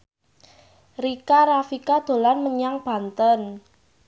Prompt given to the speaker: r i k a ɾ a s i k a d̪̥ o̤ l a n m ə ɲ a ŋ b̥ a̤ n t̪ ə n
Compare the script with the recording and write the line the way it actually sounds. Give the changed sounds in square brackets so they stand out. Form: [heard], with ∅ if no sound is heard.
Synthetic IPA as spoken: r i k a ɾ a [f] i k a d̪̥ o̤ l a n m ə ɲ a ŋ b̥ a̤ n t̪ ə n